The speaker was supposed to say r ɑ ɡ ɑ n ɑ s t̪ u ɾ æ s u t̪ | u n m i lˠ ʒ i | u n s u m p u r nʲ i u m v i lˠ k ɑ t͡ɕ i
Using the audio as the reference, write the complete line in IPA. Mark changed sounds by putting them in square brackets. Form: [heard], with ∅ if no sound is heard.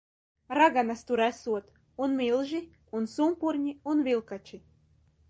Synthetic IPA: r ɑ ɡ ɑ n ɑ s t̪ u ɾ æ s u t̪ | u n m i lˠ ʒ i | u n s u m p u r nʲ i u [n] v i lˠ k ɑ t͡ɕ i